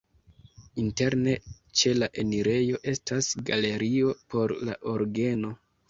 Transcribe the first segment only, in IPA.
i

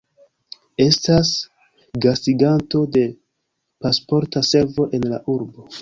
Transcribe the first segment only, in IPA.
e̞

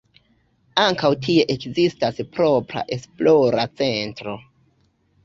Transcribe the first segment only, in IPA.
a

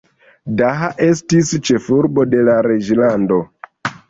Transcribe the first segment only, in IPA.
d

